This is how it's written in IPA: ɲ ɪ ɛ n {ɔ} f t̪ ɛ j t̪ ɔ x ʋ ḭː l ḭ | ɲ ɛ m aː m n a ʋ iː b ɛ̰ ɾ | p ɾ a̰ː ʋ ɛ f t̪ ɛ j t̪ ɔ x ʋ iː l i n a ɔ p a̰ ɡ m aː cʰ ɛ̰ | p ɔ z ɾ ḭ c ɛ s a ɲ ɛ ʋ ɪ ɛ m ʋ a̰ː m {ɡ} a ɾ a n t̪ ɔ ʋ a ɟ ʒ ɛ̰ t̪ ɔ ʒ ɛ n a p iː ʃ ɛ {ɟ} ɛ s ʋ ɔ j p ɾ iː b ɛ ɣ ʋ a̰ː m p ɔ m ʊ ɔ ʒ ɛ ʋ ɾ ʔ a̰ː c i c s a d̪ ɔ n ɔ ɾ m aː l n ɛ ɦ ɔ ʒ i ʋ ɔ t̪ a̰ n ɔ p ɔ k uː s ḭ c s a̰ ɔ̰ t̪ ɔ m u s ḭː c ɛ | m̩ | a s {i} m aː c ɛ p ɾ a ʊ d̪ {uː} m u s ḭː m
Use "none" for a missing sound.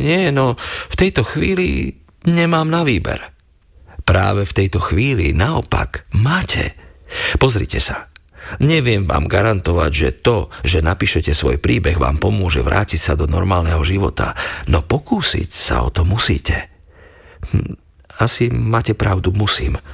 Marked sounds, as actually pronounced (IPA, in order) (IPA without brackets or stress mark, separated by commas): ɔ, ɡ, c, i, u